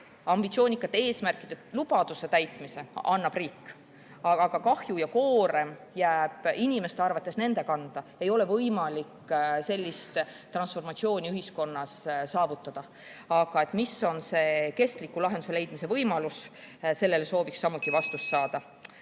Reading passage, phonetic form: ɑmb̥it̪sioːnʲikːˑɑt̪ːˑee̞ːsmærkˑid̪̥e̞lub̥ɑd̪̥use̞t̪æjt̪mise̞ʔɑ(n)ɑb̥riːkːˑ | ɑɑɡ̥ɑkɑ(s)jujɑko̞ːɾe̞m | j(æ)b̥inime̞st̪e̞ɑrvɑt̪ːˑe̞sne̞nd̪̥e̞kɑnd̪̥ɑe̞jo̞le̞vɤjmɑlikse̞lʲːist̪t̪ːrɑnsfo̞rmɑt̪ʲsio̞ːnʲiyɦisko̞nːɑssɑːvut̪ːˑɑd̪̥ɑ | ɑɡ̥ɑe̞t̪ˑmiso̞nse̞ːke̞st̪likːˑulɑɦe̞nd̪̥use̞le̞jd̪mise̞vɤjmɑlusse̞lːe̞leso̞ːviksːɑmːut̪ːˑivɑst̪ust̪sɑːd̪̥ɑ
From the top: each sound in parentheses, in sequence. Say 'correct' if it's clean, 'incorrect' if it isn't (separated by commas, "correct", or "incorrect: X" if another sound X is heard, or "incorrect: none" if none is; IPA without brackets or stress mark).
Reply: incorrect: nː, incorrect: h, incorrect: æː